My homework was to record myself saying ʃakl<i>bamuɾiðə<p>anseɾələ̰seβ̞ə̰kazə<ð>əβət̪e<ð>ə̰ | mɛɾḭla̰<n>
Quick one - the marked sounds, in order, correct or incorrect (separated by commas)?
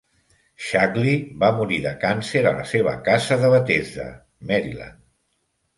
correct, incorrect, correct, incorrect, correct